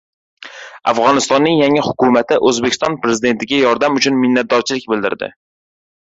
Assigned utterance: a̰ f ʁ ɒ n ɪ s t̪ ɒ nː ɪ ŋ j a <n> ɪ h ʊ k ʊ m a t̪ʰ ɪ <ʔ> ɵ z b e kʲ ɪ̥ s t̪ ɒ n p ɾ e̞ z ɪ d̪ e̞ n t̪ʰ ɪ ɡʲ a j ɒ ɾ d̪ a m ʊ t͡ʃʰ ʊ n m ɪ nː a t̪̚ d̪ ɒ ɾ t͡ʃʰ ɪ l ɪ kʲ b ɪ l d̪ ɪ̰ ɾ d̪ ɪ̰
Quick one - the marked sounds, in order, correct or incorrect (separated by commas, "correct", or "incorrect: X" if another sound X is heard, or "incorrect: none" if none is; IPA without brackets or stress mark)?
incorrect: ŋ, correct